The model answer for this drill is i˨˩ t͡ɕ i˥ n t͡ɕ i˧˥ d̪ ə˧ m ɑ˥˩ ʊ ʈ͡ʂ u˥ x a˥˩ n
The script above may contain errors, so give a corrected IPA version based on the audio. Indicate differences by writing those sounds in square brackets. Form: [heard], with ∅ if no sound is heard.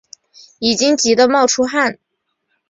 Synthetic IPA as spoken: i˨˩ t͡ɕ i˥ [ŋ] t͡ɕ i˧˥ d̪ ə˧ m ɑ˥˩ ʊ [ʈ͡ʂʰ] u˥ x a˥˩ n